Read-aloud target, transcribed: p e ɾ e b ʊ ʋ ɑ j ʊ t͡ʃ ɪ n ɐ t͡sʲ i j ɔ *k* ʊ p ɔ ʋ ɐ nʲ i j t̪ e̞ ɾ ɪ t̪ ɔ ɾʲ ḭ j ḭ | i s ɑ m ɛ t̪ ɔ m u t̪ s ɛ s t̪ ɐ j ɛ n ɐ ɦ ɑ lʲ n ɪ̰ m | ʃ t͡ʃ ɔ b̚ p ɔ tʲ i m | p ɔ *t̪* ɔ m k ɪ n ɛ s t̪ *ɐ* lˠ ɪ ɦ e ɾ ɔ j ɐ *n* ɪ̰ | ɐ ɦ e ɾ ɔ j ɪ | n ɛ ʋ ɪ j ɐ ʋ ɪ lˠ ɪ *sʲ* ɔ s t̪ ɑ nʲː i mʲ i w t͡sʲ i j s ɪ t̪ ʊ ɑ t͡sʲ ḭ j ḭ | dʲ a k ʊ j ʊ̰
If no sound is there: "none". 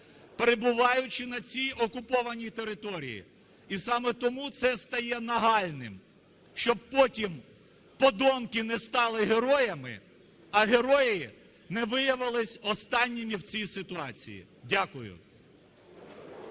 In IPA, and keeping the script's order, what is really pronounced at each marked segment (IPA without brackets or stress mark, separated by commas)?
k, d̪, ɑ, m, sʲ